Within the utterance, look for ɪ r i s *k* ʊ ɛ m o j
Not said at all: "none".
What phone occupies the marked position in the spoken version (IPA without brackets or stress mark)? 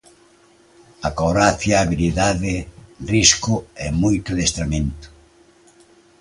k